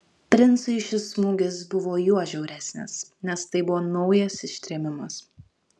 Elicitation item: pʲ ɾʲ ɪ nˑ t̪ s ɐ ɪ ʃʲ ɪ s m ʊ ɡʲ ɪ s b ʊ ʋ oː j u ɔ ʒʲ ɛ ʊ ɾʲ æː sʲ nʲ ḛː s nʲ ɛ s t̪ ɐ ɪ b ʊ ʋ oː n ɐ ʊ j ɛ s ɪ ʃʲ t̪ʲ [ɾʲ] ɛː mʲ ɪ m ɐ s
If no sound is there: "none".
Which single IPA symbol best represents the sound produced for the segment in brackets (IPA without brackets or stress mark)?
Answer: ɾʲ